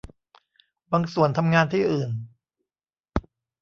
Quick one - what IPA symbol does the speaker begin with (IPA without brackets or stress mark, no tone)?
b